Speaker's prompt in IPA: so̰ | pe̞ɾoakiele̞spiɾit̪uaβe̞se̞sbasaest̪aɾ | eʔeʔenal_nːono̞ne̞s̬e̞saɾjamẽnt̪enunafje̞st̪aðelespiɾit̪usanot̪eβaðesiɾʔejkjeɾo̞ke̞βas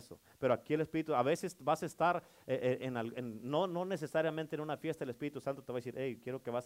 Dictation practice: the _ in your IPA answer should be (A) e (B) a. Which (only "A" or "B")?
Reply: A